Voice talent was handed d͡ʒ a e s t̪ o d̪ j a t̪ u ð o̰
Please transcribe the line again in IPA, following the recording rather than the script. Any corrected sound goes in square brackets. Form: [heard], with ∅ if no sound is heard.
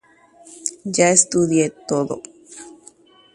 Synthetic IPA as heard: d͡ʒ a e s t̪ [u] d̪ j [e] t̪ [o] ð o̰